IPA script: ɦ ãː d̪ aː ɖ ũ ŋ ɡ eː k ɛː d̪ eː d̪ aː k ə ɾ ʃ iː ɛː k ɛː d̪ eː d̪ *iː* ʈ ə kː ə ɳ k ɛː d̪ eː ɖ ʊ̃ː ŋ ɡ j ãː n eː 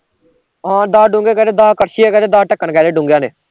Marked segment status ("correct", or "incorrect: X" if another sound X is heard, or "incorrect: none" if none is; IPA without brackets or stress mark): incorrect: aː